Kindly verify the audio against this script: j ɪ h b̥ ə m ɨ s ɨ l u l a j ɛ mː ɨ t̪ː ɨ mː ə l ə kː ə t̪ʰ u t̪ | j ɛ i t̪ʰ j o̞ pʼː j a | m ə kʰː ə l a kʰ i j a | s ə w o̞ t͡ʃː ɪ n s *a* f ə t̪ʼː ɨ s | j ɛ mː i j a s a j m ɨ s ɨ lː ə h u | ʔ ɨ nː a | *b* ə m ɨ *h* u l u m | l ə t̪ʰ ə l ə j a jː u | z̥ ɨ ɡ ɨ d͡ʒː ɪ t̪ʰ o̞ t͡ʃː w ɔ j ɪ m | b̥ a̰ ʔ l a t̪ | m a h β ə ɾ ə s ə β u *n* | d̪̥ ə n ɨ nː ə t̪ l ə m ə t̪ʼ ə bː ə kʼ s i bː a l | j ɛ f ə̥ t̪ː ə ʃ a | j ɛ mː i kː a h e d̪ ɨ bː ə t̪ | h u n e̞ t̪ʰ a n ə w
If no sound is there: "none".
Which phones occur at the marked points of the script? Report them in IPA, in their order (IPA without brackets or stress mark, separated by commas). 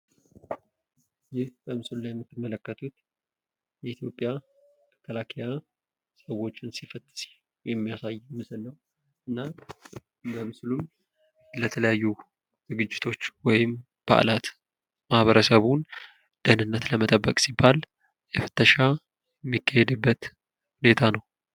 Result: i, b, s, n